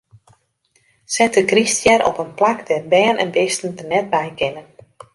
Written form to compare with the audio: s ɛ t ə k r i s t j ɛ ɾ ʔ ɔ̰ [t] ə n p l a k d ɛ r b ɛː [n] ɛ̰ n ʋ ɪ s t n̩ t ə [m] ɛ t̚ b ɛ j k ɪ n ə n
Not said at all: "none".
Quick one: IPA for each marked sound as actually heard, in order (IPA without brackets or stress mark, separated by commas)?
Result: p, n, n